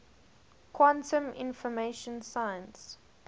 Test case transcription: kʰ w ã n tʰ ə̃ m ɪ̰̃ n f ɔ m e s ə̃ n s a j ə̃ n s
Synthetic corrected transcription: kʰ w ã n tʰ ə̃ m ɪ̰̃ n f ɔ m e ʃ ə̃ n s a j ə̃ n s